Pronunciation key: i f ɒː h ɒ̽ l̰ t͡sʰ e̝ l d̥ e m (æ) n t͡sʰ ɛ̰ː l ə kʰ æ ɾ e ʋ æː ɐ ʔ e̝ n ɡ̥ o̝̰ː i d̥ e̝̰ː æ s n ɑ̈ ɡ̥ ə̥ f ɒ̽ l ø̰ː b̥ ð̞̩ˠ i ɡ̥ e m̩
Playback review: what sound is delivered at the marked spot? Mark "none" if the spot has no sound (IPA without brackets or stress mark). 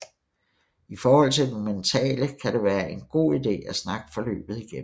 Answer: e